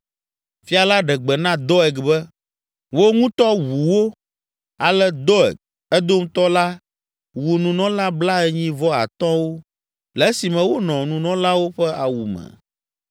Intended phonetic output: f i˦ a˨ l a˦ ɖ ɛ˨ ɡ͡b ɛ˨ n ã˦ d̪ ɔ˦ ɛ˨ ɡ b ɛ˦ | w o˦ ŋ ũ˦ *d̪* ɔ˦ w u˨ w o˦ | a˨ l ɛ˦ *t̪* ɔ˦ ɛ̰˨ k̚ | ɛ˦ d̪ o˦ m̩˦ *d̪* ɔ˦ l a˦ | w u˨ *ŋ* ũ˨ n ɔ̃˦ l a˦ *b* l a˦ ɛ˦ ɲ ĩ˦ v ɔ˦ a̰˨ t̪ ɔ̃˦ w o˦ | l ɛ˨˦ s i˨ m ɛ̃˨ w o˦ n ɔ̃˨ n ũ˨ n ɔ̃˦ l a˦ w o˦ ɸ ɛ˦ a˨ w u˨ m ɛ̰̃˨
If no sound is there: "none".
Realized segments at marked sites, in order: t̪, d̪, t̪, n, b

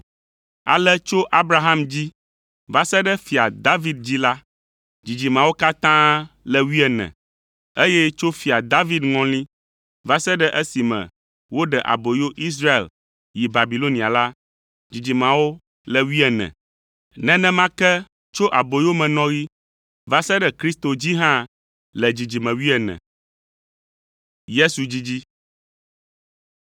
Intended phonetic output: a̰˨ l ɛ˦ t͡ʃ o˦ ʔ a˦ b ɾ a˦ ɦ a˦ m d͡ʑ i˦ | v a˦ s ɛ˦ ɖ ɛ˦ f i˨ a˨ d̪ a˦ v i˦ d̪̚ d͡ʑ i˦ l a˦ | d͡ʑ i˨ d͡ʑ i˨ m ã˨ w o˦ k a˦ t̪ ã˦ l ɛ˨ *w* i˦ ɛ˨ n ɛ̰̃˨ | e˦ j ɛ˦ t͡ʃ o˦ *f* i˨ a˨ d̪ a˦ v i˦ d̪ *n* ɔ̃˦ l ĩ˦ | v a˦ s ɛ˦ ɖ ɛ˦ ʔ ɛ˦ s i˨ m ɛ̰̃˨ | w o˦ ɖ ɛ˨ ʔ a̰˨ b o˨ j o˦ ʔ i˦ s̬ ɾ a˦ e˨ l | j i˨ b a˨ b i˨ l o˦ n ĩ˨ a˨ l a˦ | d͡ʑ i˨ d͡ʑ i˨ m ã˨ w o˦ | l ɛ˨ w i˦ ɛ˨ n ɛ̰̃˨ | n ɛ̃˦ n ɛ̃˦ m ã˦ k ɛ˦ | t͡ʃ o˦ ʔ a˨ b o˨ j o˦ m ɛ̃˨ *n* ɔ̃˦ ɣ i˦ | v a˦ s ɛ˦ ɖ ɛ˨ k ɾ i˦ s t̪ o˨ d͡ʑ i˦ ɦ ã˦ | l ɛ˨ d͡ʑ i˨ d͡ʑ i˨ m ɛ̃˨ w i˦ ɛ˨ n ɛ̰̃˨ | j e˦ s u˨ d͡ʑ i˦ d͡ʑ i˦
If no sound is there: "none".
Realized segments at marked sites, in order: w, f, ŋ, n

